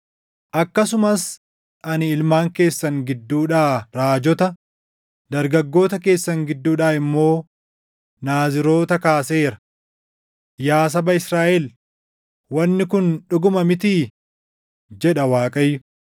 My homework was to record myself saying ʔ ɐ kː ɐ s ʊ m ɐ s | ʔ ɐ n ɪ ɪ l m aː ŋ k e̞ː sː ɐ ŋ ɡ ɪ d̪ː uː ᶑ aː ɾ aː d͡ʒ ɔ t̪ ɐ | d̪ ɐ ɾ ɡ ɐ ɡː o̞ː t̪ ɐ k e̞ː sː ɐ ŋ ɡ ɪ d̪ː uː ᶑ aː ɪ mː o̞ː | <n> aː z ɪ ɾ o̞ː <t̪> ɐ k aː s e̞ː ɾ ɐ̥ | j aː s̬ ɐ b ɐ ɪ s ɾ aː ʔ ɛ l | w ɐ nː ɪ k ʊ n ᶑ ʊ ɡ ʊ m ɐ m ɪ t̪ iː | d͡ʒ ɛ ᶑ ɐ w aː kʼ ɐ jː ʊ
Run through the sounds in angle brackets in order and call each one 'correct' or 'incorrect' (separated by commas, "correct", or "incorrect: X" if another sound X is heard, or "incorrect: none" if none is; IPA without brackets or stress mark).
correct, correct